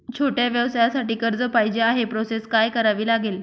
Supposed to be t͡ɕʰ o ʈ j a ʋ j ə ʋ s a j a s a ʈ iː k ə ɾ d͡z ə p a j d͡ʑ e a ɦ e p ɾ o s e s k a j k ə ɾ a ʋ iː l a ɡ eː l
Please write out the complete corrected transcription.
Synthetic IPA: t͡ɕʰ o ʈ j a ʋ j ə ʋ s a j a s a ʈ iː k ə ɾ d͡z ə p a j d͡ʑ e a ɦ e p ɾ o s e s k a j k ə ɾ a ʋ iː l a ɡ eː l

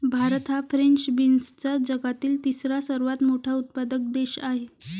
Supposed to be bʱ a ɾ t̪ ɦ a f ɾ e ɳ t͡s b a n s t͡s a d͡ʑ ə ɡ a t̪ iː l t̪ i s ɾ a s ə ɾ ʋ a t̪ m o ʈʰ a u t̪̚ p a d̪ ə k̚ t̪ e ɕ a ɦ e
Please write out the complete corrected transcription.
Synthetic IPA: bʱ a ɾ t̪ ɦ a f ɾ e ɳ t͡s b i n s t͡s a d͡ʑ ə ɡ a t̪ iː l t̪ i s ɾ a s ə ɾ ʋ a t̪ m o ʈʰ a u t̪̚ p a d̪ ə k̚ d̪ e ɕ a ɦ e

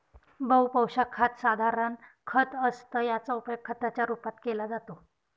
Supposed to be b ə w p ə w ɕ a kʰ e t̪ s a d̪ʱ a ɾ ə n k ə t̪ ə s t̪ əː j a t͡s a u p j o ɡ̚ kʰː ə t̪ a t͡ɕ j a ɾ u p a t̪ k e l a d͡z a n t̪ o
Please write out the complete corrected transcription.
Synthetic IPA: b ə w p ə w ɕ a kʰ a t̪ s a d̪ʱ a ɾ ə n kʰ ə t̪ ə s t̪ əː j a t͡s a u p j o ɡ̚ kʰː ə t̪ a t͡ɕ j a ɾ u p a t̪ k e l a d͡z a t̪ o

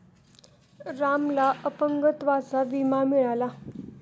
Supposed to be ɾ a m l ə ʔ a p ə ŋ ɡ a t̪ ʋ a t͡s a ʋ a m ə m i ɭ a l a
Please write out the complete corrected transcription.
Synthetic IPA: ɾ a m l a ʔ ə p ə ŋ ɡ ə t̪ ʋ a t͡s a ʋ i m a m i ɭ a l a

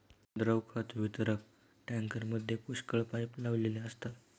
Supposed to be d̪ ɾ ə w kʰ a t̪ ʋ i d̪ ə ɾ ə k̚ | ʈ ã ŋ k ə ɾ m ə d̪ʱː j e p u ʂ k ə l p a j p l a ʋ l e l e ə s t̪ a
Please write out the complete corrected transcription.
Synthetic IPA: d̪ ɾ ə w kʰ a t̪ ʋ i t̪ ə ɾ ə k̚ | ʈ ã ŋ k ə ɾ m ə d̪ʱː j e p u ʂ k ə ɭ p a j p l a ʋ l e l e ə s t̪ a

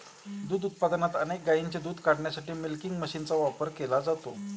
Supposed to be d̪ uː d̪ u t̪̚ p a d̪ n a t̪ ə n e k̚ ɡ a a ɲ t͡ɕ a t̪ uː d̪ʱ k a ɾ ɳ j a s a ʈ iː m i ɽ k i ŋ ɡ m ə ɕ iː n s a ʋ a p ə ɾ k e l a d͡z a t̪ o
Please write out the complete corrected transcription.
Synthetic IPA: d̪ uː d̪ u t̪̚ p a d̪ n a t̪ ə n e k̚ ɡ a i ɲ t͡ɕ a d̪ uː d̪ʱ k a ɽ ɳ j a s a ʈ iː m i l k i ŋ ɡ m ə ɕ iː n t͡s a ʋ a p ə ɾ k e l a d͡z a t̪ o

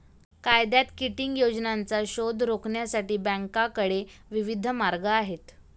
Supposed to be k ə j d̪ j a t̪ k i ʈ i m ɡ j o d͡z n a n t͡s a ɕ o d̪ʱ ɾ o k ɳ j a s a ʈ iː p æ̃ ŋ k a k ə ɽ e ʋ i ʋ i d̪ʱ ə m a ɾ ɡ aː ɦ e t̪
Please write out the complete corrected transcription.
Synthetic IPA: k a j d̪ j a t̪ k i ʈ i ŋ ɡ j o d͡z n a n t͡s a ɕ o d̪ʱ ɾ o k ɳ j a s a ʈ iː b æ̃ ŋ k a k ə ɽ e ʋ i ʋ i d̪ʱ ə m a ɾ ɡ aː ɦ e t̪

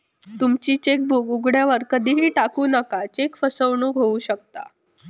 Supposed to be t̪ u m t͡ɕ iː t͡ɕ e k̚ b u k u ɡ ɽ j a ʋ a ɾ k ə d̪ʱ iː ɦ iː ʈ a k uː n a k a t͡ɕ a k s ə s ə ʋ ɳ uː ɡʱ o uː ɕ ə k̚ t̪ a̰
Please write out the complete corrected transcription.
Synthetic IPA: t̪ u m t͡ɕ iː t͡ɕ e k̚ b u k u ɡ ɽ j a ʋ ə ɾ k ə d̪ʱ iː ɦ iː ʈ a k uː n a k a t͡ɕ e k f ə s ə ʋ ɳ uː ɡʱ o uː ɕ ə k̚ t̪ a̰

